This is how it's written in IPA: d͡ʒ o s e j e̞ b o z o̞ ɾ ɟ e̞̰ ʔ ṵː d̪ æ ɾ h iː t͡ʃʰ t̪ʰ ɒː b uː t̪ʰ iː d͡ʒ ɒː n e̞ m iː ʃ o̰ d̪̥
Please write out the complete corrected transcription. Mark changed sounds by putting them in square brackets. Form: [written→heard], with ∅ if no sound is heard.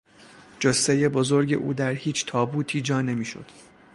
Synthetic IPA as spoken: d͡ʒ o s e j e̞ b o z o̞ ɾ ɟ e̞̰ ʔ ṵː d̪ æ ɾ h iː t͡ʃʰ t̪ʰ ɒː b uː t̪ʰ iː d͡ʒ ɒː n e̞ m iː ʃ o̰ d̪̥